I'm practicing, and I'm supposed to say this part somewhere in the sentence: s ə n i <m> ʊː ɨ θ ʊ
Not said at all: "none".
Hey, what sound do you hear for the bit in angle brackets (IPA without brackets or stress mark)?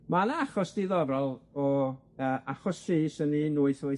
n